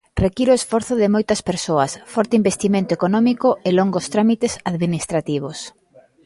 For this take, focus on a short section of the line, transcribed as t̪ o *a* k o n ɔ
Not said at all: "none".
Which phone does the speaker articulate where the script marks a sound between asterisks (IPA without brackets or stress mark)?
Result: e